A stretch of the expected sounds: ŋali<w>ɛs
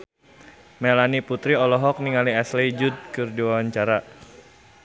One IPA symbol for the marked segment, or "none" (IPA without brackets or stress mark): none